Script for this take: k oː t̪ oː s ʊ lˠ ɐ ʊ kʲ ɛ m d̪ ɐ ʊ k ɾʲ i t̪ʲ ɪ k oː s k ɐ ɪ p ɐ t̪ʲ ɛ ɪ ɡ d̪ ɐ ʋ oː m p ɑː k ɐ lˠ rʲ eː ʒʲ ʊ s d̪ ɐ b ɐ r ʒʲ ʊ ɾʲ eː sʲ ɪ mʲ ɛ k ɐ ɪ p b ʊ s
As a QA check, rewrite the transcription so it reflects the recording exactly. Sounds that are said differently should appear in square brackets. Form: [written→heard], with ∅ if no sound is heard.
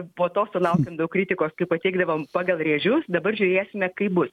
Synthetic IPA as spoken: [k→p] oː t̪ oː s ʊ lˠ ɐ ʊ kʲ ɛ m d̪ ɐ ʊ k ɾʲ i t̪ʲ ɪ k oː s k ɐ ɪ p ɐ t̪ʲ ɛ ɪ ɡ d̪ ɐ ʋ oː m p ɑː [k→ɡ] ɐ lˠ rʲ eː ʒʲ ʊ s d̪ ɐ b ɐ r ʒʲ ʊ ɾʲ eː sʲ ɪ mʲ ɛ k ɐ ɪ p b ʊ s